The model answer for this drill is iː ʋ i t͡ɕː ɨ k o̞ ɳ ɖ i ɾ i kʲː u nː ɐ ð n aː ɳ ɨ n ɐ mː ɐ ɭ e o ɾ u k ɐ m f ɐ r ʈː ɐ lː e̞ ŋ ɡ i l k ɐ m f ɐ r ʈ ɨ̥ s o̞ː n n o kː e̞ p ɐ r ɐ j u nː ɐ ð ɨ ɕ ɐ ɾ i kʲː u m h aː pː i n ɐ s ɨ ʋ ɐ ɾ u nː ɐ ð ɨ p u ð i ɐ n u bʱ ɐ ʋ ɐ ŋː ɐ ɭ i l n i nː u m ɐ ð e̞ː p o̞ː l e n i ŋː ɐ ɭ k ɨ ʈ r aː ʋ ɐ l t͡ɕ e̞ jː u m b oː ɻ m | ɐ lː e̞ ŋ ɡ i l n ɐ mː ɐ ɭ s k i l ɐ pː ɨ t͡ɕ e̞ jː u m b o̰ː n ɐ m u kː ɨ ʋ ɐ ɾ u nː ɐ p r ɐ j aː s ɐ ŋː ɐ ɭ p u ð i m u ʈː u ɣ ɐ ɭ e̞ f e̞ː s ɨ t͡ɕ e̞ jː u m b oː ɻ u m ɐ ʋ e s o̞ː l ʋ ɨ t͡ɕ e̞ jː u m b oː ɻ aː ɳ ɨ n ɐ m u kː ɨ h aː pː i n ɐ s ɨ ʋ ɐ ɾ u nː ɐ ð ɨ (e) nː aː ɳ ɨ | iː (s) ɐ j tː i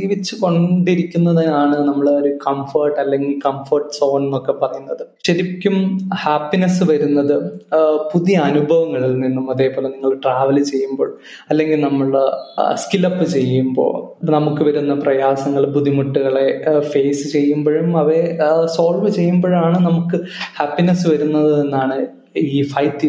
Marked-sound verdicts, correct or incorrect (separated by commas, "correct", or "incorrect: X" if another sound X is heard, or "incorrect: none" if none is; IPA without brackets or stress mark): correct, incorrect: f